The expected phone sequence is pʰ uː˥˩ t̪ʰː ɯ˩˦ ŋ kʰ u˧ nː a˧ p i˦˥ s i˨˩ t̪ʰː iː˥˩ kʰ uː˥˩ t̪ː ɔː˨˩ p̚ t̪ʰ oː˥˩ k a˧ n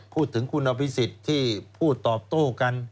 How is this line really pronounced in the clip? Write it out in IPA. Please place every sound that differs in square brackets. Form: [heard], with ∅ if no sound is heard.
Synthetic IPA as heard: pʰ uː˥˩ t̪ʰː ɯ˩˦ ŋ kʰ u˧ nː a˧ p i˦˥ s i˨˩ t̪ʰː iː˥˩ [pʰ] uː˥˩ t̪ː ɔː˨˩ p̚ [t̪] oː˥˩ k a˧ n